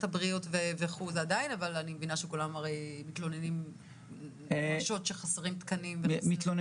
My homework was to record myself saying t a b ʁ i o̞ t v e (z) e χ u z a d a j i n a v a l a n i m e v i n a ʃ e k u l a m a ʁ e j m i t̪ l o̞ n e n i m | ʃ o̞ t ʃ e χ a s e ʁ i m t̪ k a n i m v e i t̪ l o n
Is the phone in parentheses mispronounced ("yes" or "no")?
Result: yes